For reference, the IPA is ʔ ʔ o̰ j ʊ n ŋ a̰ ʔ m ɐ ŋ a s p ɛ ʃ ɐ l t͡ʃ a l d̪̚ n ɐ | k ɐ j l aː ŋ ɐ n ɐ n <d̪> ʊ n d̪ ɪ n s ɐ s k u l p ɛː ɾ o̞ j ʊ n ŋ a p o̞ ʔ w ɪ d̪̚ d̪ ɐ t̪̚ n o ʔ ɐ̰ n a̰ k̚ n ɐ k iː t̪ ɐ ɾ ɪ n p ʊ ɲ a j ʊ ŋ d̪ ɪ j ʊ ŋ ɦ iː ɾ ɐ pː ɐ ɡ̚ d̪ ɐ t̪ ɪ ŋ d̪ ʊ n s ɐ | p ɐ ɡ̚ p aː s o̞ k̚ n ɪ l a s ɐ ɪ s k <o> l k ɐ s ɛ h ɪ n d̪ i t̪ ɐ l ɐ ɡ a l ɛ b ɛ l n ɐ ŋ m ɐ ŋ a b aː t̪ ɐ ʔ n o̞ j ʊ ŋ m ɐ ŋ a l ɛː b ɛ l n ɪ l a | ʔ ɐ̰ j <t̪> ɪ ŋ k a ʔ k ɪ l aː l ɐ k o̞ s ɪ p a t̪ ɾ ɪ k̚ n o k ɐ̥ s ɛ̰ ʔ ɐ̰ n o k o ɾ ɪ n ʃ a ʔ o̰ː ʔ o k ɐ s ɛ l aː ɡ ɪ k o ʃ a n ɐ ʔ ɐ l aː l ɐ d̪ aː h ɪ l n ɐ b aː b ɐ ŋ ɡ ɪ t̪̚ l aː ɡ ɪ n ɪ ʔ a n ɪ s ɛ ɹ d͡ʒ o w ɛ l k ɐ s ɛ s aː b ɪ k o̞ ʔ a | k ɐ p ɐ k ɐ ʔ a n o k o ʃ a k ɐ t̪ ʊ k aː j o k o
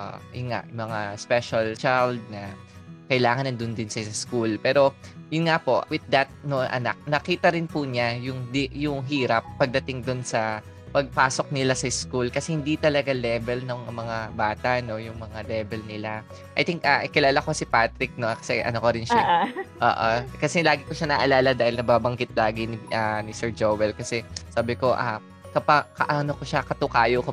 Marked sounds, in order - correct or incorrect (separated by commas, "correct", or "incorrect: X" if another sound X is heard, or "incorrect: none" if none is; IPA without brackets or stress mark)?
correct, incorrect: u, correct